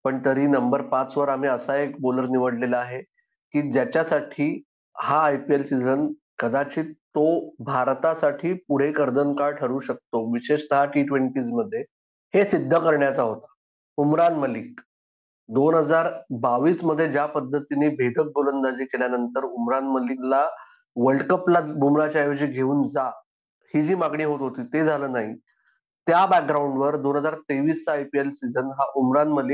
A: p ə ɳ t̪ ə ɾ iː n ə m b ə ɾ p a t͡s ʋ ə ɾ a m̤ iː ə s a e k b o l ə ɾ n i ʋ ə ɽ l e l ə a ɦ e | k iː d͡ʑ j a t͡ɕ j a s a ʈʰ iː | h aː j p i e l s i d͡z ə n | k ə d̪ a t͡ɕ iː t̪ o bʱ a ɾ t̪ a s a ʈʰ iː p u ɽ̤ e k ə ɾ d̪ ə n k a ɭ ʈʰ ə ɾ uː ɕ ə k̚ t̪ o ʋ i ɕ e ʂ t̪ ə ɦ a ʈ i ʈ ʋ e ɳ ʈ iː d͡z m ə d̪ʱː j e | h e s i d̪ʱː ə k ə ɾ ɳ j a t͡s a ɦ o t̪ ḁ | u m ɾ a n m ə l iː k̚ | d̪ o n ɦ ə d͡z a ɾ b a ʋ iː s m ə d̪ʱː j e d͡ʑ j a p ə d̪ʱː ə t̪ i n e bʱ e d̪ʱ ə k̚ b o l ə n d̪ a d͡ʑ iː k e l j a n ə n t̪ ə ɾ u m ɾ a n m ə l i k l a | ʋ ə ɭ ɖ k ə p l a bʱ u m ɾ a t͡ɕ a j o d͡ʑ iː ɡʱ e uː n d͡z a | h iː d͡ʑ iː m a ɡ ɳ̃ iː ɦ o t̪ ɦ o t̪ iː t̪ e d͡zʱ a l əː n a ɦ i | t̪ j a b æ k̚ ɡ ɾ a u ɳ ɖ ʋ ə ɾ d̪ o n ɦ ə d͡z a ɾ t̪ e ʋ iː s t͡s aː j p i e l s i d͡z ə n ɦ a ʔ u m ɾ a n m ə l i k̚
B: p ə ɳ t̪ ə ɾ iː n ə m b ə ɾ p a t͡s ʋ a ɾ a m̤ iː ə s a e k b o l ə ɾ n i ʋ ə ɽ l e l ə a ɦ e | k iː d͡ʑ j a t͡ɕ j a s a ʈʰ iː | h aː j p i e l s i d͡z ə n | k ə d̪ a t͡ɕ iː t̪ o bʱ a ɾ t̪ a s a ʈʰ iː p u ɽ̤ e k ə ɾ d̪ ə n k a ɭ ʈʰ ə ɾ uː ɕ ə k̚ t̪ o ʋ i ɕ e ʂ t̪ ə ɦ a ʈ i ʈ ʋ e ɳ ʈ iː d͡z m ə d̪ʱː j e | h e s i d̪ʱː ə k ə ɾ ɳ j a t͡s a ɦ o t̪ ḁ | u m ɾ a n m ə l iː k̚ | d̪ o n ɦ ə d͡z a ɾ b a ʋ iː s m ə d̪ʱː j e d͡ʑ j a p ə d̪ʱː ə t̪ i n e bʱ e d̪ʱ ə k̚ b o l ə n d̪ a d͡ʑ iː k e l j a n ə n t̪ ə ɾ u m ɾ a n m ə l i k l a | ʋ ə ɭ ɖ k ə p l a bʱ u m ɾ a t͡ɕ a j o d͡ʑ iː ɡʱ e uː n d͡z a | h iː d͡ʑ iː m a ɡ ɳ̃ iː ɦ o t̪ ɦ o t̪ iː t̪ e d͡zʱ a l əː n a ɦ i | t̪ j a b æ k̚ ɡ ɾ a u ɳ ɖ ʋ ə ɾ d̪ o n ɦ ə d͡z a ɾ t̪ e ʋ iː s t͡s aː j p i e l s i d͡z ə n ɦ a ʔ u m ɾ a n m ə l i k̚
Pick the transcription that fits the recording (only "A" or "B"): A